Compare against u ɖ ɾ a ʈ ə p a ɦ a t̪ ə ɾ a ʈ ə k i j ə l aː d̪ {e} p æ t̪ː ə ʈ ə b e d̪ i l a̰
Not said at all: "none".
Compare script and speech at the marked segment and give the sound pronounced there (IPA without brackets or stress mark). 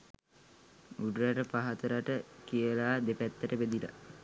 e